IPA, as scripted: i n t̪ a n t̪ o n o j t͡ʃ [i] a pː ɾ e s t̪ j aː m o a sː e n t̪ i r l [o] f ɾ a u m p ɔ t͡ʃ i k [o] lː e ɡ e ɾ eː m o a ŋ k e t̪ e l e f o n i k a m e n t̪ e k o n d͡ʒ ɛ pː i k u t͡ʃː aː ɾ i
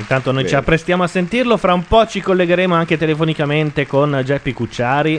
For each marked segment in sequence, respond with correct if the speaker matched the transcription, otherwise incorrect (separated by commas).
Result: correct, correct, correct